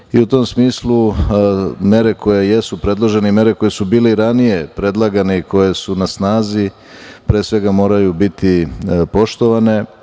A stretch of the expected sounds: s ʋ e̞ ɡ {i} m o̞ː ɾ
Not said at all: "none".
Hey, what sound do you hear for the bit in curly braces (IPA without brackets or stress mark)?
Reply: a